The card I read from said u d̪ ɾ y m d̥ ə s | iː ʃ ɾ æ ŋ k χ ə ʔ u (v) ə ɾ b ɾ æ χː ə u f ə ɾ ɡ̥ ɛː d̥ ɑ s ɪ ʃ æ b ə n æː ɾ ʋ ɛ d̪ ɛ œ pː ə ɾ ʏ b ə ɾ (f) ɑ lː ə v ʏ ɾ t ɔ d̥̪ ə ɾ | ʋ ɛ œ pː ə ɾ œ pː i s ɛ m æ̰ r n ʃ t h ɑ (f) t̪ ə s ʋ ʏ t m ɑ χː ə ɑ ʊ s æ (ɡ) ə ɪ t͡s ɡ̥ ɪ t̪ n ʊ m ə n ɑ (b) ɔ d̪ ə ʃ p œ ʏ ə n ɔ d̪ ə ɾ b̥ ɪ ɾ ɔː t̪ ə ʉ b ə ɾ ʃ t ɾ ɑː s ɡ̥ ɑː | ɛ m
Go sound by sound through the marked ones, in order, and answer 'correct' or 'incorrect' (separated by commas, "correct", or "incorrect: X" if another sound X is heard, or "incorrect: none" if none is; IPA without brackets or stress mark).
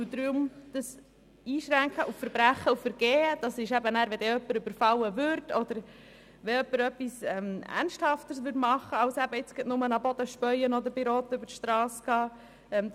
incorrect: f, correct, correct, incorrect: b, correct